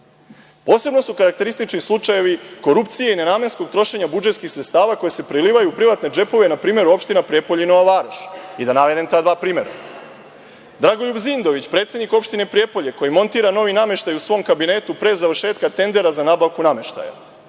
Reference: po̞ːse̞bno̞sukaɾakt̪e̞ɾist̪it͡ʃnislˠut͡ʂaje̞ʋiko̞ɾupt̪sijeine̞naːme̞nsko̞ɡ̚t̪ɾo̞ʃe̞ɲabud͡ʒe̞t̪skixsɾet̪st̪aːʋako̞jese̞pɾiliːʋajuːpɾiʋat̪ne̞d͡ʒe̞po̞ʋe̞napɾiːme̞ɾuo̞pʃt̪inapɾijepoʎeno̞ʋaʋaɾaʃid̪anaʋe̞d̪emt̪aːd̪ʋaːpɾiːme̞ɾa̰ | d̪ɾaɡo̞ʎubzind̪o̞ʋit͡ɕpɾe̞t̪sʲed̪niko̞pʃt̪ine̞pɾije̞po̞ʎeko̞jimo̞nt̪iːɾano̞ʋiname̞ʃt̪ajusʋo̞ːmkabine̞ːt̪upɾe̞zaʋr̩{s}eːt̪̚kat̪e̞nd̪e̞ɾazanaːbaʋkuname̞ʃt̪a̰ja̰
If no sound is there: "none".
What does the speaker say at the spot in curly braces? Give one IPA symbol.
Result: ʃ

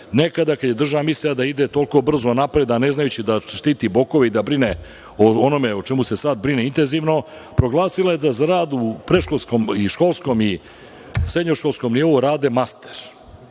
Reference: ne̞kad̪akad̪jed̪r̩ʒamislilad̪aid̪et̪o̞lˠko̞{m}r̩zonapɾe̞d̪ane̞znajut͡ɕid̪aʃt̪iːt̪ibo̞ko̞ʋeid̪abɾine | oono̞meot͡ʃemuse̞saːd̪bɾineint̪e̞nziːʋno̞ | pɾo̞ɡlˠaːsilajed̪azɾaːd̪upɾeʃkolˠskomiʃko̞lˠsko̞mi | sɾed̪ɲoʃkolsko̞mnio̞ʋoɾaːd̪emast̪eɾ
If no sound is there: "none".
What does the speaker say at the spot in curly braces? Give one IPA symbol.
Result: b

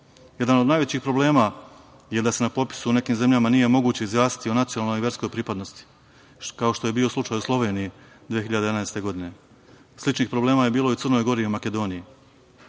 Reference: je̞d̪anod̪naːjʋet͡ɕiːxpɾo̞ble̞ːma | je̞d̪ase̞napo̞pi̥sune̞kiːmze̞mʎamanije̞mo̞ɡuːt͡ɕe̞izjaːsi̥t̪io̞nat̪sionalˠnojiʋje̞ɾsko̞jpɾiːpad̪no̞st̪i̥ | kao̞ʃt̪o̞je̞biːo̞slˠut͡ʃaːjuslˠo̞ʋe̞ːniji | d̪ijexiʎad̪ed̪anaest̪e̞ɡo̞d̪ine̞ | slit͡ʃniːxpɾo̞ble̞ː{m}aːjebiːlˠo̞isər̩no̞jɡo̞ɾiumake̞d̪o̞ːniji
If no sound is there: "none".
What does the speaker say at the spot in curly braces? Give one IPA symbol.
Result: m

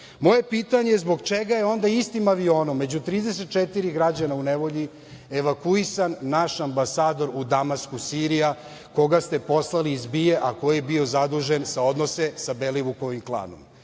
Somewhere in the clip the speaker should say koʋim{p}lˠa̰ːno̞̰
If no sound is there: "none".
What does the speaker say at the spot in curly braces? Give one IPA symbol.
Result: k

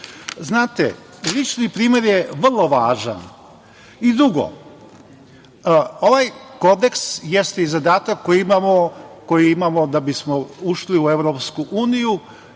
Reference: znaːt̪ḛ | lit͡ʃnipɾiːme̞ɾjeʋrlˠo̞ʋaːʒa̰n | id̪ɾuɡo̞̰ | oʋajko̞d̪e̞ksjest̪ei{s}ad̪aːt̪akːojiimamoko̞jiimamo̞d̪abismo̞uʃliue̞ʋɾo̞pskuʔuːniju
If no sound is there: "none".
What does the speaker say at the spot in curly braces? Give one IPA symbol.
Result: z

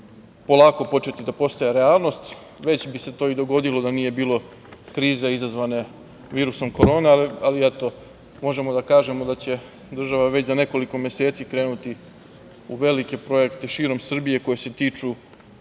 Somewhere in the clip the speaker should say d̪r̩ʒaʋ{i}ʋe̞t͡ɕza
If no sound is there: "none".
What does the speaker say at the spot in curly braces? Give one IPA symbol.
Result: a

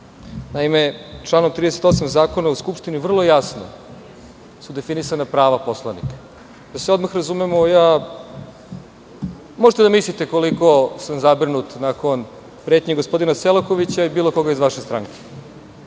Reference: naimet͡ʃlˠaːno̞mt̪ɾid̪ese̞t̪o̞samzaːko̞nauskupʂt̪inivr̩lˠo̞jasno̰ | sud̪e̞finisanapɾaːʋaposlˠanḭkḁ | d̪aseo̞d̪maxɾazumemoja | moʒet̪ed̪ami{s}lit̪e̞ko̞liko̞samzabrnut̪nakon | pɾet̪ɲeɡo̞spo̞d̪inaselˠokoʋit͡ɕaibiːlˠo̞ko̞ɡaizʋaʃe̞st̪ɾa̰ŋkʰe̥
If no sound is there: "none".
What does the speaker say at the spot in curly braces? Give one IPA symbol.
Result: s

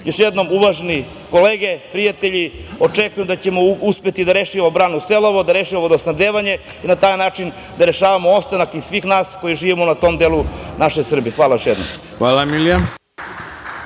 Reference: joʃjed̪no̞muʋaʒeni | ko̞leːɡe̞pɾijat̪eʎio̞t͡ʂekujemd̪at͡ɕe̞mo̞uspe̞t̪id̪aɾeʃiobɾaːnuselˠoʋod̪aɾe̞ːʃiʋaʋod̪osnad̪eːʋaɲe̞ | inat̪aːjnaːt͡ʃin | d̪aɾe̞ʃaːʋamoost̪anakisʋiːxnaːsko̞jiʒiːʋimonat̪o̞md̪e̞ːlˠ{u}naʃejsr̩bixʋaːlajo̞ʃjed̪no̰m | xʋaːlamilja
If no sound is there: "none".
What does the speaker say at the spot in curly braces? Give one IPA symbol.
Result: u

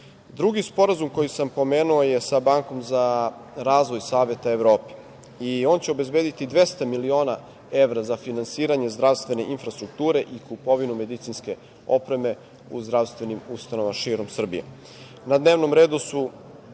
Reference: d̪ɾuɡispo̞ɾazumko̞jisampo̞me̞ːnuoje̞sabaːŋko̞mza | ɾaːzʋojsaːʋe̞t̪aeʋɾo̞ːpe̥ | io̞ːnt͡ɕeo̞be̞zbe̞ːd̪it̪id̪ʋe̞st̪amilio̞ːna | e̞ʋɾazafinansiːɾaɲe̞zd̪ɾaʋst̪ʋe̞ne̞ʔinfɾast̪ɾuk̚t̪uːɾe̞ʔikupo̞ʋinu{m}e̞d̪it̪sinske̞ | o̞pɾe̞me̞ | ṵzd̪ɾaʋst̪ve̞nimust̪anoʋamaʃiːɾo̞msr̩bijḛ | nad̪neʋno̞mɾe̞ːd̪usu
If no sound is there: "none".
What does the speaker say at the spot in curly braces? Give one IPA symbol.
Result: m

